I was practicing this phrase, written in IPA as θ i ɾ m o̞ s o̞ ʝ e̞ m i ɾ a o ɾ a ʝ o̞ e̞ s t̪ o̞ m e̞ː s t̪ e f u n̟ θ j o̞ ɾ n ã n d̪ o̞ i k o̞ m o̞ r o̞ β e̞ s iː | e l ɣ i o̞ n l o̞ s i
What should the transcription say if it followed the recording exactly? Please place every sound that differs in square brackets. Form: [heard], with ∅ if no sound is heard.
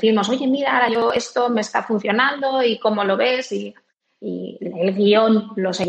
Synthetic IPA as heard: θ i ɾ m o̞ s o̞ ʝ e̞ m i ɾ a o ɾ a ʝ o̞ e̞ s t̪ o̞ m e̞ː s t̪ [a] f u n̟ θ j o̞ [∅] n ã n d̪ o̞ i k o̞ m o̞ [l] o̞ β e̞ s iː | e l ɣ i o̞ n l o̞ s [e]